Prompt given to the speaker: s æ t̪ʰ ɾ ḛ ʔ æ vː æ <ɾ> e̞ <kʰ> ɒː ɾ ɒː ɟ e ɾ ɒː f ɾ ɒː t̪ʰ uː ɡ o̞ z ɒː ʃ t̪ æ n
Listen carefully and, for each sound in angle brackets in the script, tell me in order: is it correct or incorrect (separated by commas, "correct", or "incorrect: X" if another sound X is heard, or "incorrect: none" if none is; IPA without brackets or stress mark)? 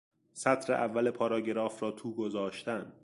incorrect: l, incorrect: pʰ